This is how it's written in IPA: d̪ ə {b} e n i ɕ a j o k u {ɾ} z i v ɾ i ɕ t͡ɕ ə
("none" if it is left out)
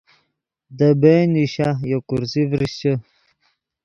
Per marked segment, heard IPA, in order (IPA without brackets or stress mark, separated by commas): b, ɾ